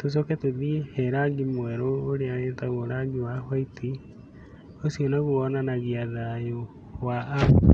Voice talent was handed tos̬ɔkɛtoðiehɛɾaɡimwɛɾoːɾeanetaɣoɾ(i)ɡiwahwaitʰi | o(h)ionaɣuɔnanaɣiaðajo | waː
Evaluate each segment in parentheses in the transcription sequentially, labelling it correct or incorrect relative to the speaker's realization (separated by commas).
incorrect, incorrect